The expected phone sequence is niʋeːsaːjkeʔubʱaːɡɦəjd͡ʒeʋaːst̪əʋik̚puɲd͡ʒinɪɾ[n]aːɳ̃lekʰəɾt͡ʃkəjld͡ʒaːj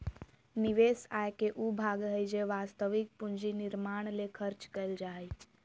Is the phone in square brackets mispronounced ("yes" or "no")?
yes